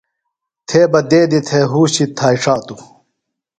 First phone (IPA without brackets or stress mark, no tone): t̪ʰ